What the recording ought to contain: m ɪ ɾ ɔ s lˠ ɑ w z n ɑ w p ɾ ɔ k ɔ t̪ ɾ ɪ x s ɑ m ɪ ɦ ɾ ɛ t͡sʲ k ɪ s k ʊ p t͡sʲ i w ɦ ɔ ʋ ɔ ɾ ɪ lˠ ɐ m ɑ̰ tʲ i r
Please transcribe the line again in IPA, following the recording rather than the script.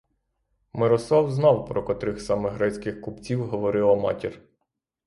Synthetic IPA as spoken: m ɪ ɾ ɔ s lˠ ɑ w z n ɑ w p ɾ ɔ k ɔ t̪ ɾ ɪ x s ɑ m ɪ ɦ ɾ ɛ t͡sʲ k ɪ x k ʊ p t͡sʲ i w ɦ ɔ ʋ ɔ ɾ ɪ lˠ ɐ m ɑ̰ tʲ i r